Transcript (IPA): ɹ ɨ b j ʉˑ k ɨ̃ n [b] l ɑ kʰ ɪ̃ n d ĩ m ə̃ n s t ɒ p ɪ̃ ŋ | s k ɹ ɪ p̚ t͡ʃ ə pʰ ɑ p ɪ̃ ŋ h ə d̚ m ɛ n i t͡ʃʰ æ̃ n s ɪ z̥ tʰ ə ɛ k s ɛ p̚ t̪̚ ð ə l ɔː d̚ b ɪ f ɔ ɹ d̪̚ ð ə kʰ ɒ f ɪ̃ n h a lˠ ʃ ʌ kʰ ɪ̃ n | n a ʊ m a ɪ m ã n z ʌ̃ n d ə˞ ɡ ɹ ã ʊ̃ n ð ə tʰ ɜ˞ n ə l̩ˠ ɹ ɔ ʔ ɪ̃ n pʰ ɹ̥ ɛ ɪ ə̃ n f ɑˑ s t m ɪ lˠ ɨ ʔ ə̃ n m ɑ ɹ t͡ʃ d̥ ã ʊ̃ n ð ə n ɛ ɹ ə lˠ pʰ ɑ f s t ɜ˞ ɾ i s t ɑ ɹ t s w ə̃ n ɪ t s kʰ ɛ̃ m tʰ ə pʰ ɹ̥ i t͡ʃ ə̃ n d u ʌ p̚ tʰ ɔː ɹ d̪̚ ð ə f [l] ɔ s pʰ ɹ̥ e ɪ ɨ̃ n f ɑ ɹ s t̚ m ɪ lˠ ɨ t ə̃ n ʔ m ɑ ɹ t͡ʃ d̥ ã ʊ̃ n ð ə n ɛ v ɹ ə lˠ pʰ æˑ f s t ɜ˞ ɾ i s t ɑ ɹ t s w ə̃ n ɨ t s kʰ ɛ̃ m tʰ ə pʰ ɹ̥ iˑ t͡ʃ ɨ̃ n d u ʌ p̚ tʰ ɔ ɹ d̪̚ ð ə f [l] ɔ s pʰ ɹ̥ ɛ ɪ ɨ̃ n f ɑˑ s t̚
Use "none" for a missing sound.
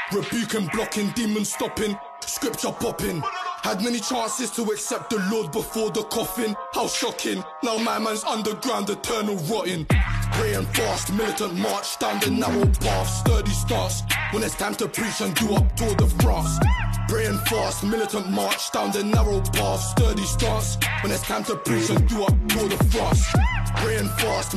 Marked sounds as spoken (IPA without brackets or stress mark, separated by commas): b, ɹ, ɹ